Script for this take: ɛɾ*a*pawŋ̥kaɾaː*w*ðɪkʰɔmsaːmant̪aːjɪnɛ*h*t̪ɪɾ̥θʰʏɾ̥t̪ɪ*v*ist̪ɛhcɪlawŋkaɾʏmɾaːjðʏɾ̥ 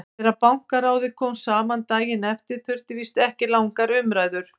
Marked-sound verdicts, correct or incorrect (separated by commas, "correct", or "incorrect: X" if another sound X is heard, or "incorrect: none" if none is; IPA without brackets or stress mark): correct, correct, incorrect: f, correct